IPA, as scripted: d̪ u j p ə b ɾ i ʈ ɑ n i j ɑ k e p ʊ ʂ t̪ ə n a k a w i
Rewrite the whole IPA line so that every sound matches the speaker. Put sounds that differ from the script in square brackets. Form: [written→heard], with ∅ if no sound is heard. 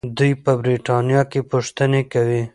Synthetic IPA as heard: d̪ u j p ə b ɾ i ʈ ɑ n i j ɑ k e p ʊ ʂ t̪ ə n [a→e] k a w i